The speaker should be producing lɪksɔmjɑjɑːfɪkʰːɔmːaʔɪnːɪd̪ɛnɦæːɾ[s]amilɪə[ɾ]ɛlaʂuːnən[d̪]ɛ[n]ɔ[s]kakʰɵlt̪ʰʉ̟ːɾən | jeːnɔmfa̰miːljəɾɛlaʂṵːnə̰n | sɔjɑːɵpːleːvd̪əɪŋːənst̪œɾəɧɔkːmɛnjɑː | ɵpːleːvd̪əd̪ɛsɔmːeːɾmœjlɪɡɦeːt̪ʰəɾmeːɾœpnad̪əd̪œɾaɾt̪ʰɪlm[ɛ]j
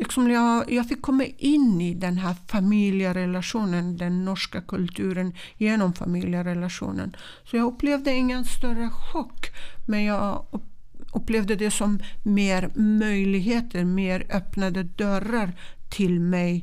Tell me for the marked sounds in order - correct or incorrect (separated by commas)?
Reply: incorrect, correct, correct, incorrect, incorrect, correct